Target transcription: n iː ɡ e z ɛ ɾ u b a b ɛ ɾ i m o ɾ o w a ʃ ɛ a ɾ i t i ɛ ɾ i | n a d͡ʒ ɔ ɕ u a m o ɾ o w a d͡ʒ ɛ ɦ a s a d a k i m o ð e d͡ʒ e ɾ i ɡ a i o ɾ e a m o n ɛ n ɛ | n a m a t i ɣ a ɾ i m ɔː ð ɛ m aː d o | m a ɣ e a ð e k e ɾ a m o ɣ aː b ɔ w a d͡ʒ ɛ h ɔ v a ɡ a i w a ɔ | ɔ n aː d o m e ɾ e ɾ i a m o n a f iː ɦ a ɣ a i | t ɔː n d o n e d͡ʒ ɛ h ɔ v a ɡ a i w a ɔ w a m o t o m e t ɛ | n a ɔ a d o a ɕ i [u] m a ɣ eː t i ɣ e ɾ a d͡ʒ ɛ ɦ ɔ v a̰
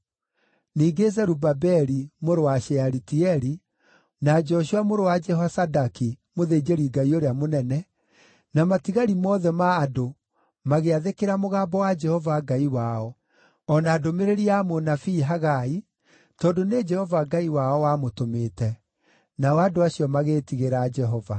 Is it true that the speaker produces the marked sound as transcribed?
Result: no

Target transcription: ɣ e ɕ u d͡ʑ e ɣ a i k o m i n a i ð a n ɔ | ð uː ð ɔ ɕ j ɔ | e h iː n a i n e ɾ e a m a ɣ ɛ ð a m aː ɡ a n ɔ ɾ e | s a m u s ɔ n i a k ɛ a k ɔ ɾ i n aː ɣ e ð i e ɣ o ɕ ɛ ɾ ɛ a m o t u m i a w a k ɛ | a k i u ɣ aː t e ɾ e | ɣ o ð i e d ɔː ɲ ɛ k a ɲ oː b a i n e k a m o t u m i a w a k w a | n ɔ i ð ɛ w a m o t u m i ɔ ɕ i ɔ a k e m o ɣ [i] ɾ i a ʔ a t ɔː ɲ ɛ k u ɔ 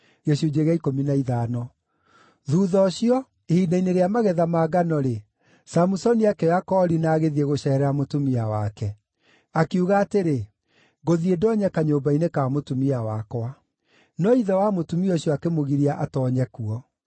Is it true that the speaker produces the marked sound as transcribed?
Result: yes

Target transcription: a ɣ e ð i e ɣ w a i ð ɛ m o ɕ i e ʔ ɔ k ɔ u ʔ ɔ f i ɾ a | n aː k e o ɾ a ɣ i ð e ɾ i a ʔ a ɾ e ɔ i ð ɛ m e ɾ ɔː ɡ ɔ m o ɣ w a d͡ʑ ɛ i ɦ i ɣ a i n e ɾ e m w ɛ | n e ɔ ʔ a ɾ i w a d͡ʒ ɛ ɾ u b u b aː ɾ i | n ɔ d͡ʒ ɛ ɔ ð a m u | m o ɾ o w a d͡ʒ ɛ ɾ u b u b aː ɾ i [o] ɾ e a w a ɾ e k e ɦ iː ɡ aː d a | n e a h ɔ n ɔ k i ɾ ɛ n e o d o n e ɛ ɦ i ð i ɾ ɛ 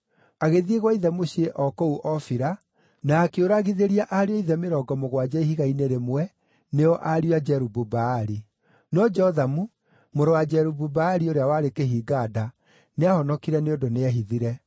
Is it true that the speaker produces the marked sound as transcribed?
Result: yes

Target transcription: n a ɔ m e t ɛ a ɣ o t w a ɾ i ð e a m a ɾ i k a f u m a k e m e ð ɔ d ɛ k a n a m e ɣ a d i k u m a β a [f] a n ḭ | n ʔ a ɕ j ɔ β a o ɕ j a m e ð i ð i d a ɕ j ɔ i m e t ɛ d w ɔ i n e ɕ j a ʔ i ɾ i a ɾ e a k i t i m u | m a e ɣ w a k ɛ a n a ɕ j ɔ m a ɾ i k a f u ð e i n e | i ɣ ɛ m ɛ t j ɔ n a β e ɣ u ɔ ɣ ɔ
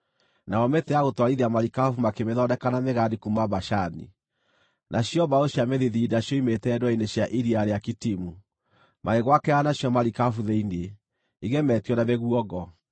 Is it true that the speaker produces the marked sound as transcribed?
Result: no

